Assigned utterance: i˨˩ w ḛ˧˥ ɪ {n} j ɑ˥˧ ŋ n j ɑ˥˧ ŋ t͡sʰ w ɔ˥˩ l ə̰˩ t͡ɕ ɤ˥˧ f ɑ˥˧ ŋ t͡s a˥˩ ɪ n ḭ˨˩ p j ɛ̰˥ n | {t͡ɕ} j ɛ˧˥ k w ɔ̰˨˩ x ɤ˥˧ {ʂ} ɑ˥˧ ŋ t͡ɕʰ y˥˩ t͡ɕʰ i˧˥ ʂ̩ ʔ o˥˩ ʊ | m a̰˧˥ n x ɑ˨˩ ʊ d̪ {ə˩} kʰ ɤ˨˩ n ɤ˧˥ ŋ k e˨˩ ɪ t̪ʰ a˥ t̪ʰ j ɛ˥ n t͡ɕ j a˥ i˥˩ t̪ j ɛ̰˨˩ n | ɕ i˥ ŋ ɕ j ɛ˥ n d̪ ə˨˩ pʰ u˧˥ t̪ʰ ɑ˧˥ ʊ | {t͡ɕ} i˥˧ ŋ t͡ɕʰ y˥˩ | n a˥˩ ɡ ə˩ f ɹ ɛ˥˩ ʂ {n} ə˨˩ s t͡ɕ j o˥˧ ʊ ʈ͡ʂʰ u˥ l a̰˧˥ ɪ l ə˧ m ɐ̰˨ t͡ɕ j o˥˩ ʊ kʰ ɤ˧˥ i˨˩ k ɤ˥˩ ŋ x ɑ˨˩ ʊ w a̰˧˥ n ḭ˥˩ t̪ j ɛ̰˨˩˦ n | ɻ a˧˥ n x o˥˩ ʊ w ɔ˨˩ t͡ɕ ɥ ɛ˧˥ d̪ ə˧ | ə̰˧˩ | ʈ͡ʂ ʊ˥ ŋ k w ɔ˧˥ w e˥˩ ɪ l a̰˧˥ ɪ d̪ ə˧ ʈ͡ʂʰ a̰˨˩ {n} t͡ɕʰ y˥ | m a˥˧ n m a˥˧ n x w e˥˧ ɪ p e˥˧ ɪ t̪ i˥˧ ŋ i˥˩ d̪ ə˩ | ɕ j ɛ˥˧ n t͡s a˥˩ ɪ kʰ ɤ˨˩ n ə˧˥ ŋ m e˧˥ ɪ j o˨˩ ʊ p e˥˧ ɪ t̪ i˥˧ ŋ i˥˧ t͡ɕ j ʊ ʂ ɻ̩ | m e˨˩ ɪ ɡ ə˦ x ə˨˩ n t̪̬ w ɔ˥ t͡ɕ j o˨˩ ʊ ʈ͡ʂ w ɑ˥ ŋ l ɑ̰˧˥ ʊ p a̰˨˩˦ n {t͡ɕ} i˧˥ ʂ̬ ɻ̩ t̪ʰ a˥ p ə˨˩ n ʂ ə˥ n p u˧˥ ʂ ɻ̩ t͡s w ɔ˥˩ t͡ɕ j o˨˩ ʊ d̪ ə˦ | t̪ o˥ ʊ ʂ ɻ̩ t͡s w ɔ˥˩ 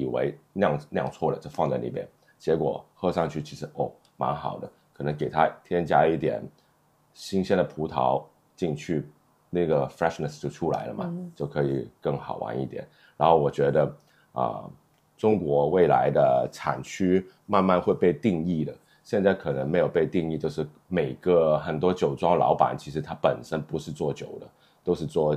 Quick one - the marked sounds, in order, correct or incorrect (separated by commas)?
correct, correct, correct, incorrect, correct, correct, correct, incorrect